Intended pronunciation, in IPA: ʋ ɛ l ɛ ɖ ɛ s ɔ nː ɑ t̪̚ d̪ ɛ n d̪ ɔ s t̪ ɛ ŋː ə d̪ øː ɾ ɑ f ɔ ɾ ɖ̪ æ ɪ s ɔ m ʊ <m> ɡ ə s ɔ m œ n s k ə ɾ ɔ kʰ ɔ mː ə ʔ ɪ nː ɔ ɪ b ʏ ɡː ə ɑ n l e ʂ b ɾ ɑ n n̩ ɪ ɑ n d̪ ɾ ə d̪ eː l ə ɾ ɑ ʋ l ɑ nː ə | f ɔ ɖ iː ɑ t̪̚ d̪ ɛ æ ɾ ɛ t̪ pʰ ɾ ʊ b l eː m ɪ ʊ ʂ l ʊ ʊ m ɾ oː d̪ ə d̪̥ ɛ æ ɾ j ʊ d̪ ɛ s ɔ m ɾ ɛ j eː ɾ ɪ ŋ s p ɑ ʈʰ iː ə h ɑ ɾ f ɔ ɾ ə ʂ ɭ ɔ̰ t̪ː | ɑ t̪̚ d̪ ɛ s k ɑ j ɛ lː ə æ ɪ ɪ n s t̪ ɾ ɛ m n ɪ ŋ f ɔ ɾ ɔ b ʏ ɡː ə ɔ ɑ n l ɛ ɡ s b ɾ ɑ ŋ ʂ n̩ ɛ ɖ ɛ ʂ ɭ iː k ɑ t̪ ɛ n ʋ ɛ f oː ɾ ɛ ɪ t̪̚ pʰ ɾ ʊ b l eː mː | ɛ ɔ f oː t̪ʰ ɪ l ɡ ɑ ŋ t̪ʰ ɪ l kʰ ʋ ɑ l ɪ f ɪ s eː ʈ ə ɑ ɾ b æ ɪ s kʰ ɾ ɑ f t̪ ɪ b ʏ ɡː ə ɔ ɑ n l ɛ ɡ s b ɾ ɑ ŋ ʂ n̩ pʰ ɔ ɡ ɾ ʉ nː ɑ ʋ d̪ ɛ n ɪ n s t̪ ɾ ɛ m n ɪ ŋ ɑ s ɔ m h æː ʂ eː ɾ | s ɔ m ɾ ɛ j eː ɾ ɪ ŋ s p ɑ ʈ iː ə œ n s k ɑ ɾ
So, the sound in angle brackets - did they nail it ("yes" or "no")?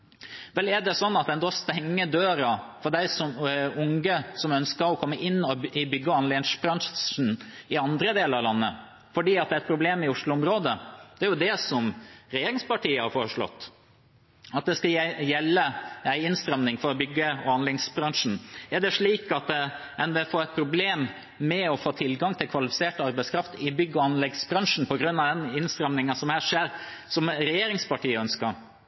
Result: no